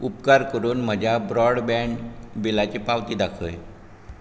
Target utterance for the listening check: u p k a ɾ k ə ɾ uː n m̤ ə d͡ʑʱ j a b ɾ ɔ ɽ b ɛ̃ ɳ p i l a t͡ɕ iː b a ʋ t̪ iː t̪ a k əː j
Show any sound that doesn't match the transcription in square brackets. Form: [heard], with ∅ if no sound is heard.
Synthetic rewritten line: u p k a ɾ k ə ɾ uː n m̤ ə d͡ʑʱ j a b ɾ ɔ ɽ b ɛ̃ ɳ [b] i l a t͡ɕ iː [p] a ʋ t̪ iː [d̪] a [kʰ] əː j